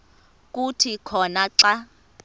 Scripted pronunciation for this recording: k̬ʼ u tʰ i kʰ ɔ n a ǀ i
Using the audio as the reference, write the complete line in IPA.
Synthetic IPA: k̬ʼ u tʰ i kʰ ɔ n a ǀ a

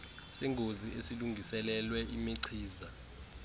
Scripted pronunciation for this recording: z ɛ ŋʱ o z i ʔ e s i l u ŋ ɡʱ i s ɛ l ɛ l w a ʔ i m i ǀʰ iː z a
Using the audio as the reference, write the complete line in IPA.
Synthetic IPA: s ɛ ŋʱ o z i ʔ e s i l u ŋ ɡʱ i s ɛ l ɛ l w ɛ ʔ i m i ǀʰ iː z a

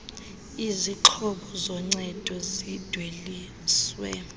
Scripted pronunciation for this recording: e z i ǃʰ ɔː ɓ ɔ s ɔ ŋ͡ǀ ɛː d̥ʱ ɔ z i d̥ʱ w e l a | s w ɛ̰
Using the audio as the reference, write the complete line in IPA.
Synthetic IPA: i z i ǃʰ ɔ ɓ ɔ z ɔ ŋ͡ǀ ɛ d̥ʱ ɔ z i d̥ʱ w e l i | s w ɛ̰

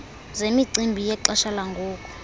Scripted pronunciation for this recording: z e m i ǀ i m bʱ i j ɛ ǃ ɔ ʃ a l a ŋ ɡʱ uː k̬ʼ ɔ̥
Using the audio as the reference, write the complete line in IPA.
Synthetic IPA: z e m i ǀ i m bʱ i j ɛ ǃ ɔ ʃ a l a ŋ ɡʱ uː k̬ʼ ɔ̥

